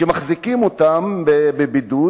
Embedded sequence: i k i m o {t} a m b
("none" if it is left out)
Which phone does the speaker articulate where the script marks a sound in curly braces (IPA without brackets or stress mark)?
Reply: t